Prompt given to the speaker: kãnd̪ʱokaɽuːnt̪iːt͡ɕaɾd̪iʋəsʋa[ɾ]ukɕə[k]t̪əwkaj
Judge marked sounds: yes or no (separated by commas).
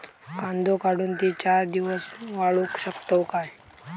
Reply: no, yes